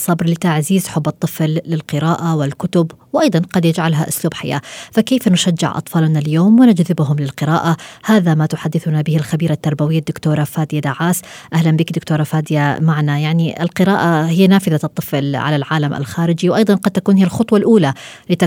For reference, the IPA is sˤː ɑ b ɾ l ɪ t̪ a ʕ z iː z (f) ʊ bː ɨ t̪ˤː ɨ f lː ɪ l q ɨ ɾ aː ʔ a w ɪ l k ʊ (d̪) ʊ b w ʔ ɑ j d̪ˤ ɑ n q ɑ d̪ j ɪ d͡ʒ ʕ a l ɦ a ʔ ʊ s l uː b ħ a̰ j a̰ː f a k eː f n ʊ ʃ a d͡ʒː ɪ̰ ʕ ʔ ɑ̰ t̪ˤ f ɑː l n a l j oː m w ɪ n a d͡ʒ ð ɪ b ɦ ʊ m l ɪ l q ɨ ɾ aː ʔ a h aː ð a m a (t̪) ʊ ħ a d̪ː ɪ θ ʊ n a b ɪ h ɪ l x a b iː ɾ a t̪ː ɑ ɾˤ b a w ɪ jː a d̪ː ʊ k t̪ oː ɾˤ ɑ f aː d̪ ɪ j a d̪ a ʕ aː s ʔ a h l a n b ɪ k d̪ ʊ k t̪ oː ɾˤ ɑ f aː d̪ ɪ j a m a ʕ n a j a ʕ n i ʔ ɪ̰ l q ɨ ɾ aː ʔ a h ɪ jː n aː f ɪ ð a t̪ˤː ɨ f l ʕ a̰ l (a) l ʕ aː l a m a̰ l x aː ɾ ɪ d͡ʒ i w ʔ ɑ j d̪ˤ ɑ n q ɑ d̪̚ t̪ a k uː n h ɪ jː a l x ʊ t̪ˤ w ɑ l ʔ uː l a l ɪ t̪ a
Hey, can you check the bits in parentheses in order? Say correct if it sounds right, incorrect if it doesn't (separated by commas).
incorrect, incorrect, correct, correct